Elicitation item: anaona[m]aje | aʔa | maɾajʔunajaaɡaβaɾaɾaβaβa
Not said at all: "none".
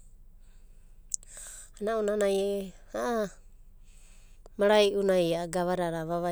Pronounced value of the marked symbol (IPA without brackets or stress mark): n